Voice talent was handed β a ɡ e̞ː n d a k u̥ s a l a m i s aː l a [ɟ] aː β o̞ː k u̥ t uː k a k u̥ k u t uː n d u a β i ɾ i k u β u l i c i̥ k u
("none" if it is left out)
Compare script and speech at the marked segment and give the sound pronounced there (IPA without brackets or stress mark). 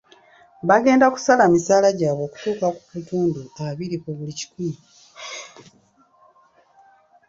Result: ɟ